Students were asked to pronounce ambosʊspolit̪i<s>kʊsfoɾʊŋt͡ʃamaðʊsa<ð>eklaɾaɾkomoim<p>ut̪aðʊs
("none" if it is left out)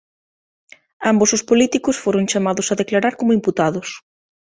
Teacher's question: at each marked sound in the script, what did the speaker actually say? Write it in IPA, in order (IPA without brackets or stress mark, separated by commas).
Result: none, ð, p